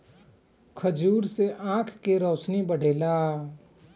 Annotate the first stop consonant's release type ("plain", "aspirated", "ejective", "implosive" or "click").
aspirated